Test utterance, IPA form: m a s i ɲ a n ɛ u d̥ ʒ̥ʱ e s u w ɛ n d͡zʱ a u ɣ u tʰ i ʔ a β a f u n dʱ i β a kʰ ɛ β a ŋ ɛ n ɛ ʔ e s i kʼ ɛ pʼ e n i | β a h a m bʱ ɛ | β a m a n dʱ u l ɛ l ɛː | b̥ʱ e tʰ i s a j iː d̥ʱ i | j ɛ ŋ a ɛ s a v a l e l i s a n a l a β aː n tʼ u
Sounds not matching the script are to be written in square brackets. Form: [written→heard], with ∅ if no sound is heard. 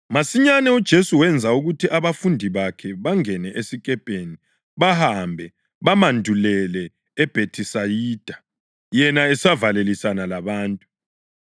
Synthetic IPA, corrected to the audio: m a s i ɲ a n ɛ u d̥ ʒ̥ʱ e s u w ɛ n d͡zʱ a u ɣ u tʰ i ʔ a β a f u n dʱ i β a kʰ ɛ β a ŋ ɛ n ɛ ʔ e s i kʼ ɛ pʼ e n i | β a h a m bʱ ɛ | β a m a n dʱ u l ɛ l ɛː | b̥ʱ e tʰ i s a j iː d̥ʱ [i→a] | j ɛ [ŋ→n] a ɛ s a v a l e l i s a n a l a β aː n tʼ u

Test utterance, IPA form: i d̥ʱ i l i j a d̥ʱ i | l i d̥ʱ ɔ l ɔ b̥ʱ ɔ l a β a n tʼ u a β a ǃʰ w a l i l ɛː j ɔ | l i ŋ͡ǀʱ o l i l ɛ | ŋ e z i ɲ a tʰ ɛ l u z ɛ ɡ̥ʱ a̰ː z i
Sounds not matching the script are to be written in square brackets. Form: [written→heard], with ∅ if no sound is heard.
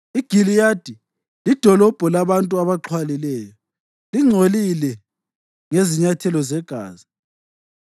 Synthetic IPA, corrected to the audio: i [d̥ʱ→ɡ̥ʱ] i l i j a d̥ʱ i | l i d̥ʱ ɔ l ɔ b̥ʱ ɔ l a β a n tʼ u a β a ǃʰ w a l i l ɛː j ɔ | l i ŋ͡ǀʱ o l i l ɛ | ŋ e z i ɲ a tʰ ɛ l [u→ɔ] z ɛ ɡ̥ʱ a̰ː z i

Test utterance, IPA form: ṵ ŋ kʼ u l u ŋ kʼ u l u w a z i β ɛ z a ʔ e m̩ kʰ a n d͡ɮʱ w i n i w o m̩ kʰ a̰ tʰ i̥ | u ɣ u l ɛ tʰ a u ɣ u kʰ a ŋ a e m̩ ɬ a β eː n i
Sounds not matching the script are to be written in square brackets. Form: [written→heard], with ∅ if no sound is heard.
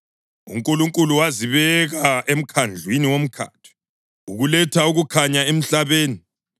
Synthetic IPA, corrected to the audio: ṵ ŋ kʼ u l u ŋ kʼ u l u w a z i β ɛ [z→ɣ] a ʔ e m̩ kʰ a n d͡ɮʱ w i n i w o m̩ kʰ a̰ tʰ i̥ | u ɣ u l ɛ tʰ a u ɣ u kʰ a [ŋ→ɲ] a e m̩ ɬ a β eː n i

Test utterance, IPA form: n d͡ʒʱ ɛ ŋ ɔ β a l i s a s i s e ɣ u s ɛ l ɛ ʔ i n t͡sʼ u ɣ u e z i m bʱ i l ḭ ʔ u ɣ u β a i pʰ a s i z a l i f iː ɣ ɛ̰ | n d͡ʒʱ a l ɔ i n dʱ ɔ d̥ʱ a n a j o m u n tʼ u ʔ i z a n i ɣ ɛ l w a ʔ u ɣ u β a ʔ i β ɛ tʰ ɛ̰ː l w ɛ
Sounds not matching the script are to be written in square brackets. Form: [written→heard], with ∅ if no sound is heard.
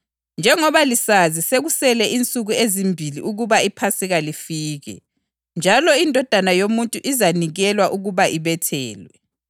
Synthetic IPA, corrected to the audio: n d͡ʒʱ ɛ ŋ ɔ β a l i s a [s→z] i s e ɣ u s ɛ l ɛ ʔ i n t͡sʼ u ɣ u e z i m bʱ i l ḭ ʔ u ɣ u β a i pʰ a s i [z→ɣ] a l i f iː ɣ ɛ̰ | n d͡ʒʱ a l ɔ i n dʱ ɔ d̥ʱ a n a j o m u n tʼ u ʔ i z a n i ɣ ɛ l w a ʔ u ɣ u β a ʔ i β ɛ tʰ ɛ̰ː l w ɛ

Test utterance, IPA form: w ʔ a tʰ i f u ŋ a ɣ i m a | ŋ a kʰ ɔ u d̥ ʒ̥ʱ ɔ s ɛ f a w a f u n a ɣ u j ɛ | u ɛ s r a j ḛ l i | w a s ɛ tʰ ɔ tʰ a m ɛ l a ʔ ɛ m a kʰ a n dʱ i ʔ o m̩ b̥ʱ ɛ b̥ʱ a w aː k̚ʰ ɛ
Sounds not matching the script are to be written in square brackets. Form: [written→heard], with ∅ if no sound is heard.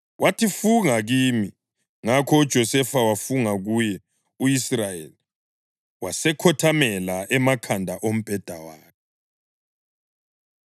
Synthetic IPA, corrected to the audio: w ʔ a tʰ i f u ŋ a ɣ i m [a→i] | ŋ a kʰ ɔ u d̥ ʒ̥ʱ ɔ s ɛ f a w a f u [n→ŋ] a ɣ u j ɛ | u [ɛ→i] s r a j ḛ l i | w a s ɛ [tʰ→kʰ] ɔ tʰ a m ɛ l a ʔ ɛ m a kʰ a n dʱ [i→a] ʔ o m̩ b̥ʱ ɛ [b̥ʱ→d̥ʱ] a w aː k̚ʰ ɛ

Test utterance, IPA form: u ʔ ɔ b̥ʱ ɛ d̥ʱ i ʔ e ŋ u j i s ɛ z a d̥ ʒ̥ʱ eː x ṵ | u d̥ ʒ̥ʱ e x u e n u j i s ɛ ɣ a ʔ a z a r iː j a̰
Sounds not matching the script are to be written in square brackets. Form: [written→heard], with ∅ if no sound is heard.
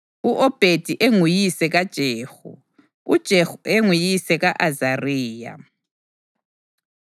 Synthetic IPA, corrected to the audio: u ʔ ɔ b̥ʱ [ɛ→e] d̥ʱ i ʔ e ŋ u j i s ɛ [z→ɣ] a d̥ ʒ̥ʱ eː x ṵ | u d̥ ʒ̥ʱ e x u e [n→ŋ] u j i s ɛ ɣ a ʔ a z a r iː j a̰

